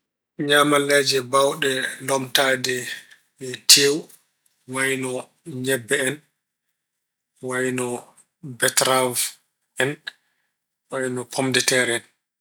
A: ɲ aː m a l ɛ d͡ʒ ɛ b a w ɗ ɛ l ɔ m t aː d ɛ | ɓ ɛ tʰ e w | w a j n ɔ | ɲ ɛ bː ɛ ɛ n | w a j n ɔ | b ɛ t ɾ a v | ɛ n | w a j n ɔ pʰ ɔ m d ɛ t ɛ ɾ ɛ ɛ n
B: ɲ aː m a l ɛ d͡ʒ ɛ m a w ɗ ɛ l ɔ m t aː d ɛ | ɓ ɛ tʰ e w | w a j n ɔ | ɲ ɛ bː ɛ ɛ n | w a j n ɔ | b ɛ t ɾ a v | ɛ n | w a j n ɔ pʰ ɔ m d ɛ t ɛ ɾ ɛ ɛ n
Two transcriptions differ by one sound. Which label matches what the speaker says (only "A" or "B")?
A